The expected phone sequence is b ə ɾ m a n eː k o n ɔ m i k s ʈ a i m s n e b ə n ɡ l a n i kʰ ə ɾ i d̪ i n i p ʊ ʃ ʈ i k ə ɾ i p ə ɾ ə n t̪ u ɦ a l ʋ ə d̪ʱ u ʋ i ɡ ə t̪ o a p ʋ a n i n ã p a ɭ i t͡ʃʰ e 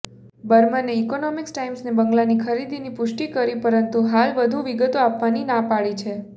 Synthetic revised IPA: b ə ɾ m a n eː k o n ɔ m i k s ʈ a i m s n e b ə ŋ ɡ l a n i kʰ ə ɾ i d̪ i n i p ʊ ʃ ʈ i k ə ɾ i p ə ɾ ə n t̪ u ɦ a l ʋ ə d̪ʱ u ʋ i ɡ ə t̪ o a p ʋ a n i n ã p a ɭ i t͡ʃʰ e